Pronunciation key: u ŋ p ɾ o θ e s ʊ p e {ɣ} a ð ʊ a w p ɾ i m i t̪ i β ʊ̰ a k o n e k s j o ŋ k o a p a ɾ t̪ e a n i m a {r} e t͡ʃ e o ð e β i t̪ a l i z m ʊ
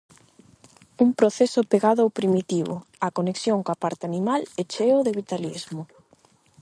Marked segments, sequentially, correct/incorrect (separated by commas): correct, incorrect